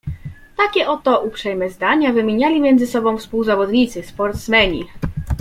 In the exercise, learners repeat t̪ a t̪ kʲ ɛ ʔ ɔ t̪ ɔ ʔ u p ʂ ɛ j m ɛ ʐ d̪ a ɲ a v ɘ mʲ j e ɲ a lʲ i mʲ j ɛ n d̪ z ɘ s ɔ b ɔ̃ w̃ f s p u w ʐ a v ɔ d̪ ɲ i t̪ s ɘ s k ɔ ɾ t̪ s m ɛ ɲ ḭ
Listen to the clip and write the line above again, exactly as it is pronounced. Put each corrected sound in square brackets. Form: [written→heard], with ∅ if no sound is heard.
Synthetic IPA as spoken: t̪ a [t̪→∅] kʲ ɛ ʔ ɔ t̪ ɔ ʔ u p ʂ ɛ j m ɛ [ʐ→z] d̪ a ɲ a v ɘ mʲ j e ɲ a lʲ i mʲ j ɛ n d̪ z ɘ s ɔ b ɔ̃ w̃ f s p u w [ʐ→z] a v ɔ d̪ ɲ i t̪ s ɘ s [k→p] ɔ ɾ t̪ s m ɛ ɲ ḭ